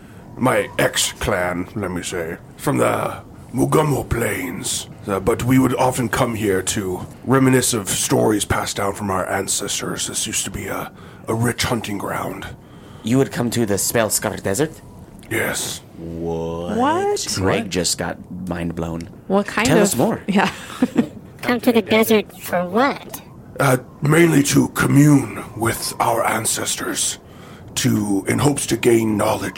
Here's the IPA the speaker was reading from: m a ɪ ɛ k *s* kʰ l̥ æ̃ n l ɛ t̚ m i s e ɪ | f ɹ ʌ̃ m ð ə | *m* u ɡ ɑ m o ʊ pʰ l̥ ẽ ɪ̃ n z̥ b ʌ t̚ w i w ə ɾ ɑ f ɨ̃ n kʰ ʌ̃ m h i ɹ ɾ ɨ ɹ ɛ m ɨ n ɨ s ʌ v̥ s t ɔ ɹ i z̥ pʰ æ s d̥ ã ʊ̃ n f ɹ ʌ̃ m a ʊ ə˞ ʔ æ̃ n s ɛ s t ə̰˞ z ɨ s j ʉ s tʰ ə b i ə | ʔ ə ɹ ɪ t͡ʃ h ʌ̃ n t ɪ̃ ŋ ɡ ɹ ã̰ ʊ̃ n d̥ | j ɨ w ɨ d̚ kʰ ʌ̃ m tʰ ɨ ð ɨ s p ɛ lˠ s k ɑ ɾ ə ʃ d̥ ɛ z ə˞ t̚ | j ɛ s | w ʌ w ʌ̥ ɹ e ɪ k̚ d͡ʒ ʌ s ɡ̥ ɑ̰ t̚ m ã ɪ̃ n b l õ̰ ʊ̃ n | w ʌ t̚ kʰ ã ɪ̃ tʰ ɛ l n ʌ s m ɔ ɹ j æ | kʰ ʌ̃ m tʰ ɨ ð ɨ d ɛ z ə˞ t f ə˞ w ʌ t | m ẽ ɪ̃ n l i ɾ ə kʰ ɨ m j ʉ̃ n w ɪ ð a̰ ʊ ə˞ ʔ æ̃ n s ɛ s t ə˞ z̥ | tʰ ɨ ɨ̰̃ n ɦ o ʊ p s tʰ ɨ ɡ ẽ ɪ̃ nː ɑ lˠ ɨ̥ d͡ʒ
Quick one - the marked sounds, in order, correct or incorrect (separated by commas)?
correct, correct